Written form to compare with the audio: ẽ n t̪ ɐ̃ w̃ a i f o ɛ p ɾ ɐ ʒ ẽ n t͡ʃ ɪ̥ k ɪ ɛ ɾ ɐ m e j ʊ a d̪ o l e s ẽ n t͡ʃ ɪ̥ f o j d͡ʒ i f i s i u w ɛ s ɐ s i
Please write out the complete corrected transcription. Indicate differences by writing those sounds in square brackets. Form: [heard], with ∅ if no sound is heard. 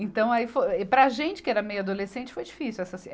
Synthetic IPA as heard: ẽ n t̪ ɐ̃ w̃ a i f o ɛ p ɾ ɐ ʒ ẽ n t͡ʃ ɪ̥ k ɪ ɛ ɾ ɐ m e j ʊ a d̪ o l e s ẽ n t͡ʃ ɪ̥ f o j d͡ʒ i f i s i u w ɛ s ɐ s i